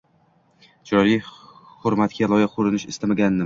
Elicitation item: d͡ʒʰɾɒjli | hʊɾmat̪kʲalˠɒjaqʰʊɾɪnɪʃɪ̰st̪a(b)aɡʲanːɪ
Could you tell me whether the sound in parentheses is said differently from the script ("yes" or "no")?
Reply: yes